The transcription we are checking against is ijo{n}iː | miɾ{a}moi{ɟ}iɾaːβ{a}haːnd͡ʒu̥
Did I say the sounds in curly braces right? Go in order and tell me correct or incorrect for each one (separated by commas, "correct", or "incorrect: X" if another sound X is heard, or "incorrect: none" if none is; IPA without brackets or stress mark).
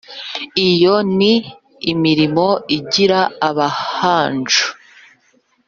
correct, incorrect: i, correct, correct